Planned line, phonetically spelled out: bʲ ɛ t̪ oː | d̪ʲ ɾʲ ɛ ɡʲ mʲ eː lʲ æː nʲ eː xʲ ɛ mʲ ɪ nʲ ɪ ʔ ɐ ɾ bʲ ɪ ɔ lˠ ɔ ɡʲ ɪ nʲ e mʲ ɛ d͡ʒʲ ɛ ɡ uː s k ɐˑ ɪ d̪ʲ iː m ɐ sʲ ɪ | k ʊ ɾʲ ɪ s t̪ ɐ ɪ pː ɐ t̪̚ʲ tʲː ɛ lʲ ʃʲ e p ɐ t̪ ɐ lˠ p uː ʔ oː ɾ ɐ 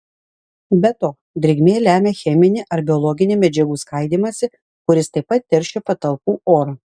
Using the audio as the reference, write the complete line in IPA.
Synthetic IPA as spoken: bʲ ɛ t̪ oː | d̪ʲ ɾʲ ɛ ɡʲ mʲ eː lʲ æː mʲ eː xʲ ɛ mʲ ɪ nʲ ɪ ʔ ɐ ɾ bʲ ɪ ɔ lˠ ɔ ɡʲ ɪ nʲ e mʲ ɛ d͡ʒʲ ɛ ɡ uː s k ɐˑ ɪ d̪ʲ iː m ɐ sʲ ɪ | k ʊ ɾʲ ɪ s t̪ ɐ ɪ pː ɐ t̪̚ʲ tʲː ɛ ɾʲ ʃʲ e p ɐ t̪ ɐ lˠ p uː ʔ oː ɾ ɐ